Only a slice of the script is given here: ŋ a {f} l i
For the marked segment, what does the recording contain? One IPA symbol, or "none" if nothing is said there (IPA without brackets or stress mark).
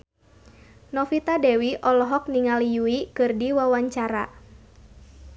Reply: none